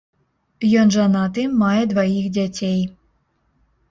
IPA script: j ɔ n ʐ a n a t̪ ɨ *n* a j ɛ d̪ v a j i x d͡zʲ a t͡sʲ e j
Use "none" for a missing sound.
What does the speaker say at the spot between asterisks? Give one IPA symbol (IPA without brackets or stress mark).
m